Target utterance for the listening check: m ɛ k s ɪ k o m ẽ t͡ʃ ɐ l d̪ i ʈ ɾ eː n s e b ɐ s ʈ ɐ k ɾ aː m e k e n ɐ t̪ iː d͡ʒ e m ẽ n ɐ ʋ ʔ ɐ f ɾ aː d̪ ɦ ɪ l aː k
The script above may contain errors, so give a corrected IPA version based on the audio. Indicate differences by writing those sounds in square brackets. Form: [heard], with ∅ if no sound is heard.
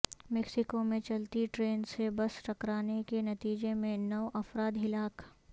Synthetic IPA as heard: m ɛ k s ɪ k o m ẽ t͡ʃ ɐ l [t̪] i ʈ ɾ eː n s e b ɐ s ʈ ɐ k ɾ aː [n] e k e n ɐ t̪ iː d͡ʒ e m ẽ n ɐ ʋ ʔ ɐ f ɾ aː d̪ ɦ ɪ l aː k